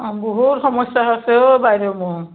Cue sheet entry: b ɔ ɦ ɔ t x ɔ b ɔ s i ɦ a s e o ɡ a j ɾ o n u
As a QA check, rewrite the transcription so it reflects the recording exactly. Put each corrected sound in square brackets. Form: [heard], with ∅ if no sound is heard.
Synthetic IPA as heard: b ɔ ɦ [u] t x ɔ [m] ɔ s [a] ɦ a s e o [b] a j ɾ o [m] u